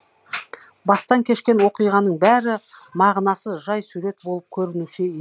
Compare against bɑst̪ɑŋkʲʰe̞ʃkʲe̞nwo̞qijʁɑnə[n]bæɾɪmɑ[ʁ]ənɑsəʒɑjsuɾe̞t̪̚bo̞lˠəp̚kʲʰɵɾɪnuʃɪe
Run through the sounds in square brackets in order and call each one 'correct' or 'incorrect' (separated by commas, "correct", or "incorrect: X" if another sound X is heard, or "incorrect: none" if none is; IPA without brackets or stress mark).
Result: incorrect: ɴ, correct